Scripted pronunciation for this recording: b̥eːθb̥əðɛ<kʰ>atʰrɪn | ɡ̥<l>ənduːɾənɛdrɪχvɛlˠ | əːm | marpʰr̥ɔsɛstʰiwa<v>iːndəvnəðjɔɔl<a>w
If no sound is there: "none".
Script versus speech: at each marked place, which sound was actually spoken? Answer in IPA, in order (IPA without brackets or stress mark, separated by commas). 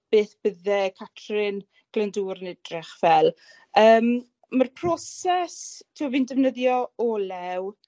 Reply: kʰ, l, v, ɛ